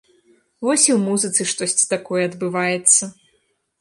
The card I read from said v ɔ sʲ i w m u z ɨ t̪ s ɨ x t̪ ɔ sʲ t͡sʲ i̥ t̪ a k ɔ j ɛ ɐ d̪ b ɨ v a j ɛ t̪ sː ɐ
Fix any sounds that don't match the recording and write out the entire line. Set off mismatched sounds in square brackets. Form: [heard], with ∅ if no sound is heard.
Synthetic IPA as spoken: v ɔ sʲ i w m u z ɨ t̪ s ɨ [ʂ] t̪ ɔ sʲ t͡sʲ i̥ t̪ a k ɔ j ɛ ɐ d̪ b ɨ v a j ɛ t̪ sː ɐ